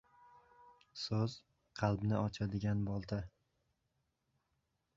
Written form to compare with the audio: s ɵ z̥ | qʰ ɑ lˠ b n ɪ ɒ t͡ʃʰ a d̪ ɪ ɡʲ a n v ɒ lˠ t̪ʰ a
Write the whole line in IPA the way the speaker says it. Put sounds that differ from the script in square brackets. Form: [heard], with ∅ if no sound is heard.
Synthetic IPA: s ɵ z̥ | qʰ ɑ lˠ b n ɪ ɒ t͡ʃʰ a d̪ ɪ ɡʲ a n [b] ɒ lˠ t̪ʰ a